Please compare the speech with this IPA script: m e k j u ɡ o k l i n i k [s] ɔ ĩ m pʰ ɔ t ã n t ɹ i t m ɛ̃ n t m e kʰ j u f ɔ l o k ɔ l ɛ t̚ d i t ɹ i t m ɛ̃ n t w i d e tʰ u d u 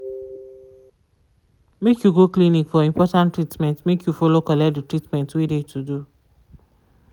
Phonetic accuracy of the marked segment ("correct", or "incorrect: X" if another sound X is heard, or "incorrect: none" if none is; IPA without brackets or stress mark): incorrect: f